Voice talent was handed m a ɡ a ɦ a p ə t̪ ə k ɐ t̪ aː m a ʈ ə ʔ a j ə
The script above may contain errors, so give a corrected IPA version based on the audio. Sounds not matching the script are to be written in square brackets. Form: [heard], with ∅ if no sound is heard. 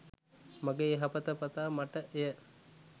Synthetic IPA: m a ɡ [e] ɦ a p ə t̪ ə [p] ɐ t̪ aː m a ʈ ə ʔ [e] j ə